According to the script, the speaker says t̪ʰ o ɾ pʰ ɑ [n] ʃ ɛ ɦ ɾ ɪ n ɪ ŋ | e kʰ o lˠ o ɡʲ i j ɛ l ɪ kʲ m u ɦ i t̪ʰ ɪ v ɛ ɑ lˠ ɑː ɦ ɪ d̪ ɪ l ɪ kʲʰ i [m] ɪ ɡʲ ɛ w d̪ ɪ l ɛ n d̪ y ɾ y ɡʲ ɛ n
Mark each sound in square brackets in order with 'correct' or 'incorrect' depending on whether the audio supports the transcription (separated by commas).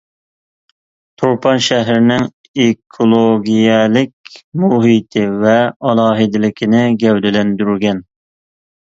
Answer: correct, incorrect